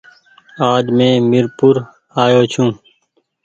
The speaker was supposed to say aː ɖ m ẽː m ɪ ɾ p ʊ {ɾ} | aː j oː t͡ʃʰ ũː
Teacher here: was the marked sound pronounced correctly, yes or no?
yes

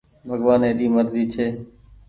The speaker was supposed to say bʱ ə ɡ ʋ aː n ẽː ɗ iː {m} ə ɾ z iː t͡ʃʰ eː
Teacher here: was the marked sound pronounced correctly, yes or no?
yes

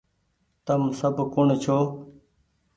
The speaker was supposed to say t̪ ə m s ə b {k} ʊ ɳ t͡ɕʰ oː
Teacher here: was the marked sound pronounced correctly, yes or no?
yes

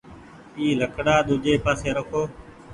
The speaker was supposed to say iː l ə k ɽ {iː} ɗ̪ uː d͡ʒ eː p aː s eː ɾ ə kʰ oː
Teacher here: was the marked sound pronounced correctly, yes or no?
no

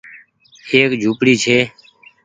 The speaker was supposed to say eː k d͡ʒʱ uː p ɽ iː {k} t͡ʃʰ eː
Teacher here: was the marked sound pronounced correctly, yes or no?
no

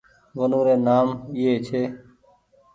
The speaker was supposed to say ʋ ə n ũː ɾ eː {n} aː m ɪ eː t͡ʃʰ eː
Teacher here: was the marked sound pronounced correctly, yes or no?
yes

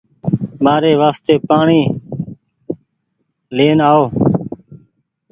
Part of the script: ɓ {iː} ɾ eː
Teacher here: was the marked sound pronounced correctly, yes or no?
no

